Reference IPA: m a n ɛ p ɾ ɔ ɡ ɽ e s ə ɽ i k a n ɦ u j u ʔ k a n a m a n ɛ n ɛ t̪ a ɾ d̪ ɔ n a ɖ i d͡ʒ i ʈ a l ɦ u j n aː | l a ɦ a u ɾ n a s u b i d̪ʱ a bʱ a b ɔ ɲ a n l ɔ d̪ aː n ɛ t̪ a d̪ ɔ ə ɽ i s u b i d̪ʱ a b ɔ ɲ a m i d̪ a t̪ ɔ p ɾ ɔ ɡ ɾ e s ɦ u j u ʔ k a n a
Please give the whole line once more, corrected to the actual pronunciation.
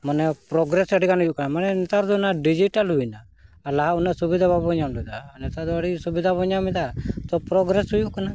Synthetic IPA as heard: m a n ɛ p ɾ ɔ ɡ ɾ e s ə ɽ i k a n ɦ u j u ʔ k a n a m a n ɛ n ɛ t̪ a ɾ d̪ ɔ n a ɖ i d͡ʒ i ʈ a l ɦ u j n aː | l a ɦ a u n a s u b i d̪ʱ a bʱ a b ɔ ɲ a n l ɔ d̪ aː n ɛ t̪ a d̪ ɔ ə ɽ i s u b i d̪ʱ a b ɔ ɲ a m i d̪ a t̪ ɔ p ɾ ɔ ɡ ɾ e s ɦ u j u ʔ k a n a